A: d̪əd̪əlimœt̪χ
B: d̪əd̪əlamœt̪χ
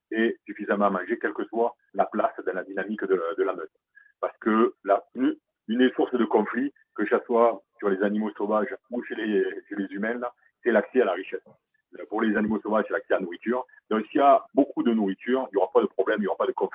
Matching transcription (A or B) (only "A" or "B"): B